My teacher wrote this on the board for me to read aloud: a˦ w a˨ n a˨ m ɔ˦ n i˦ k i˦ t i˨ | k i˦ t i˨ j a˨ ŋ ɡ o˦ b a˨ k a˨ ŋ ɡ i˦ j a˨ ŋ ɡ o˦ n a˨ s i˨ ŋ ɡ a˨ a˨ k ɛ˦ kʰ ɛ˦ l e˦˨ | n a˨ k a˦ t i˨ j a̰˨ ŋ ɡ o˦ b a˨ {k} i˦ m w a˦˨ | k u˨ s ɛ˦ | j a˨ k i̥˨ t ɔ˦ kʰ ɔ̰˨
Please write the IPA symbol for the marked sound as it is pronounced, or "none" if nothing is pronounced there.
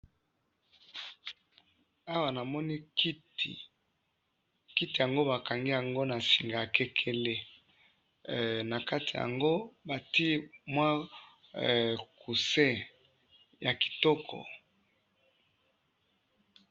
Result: t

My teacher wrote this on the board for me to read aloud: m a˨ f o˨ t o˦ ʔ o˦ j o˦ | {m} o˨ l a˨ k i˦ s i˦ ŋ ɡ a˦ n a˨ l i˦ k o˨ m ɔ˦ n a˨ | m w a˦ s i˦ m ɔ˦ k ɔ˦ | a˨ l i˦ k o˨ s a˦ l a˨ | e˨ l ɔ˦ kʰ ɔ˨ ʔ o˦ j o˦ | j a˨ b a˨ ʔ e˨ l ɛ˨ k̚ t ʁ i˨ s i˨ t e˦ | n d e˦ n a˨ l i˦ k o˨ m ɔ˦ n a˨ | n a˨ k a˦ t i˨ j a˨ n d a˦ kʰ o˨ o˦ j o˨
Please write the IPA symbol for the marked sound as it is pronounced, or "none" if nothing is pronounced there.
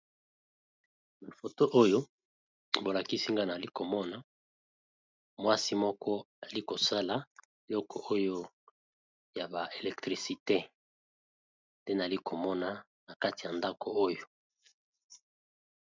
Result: b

